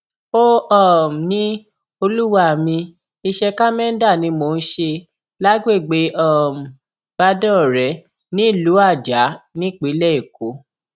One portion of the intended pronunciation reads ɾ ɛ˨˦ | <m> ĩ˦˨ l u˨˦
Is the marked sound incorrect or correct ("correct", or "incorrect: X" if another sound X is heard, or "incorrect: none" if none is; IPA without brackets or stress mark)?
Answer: incorrect: n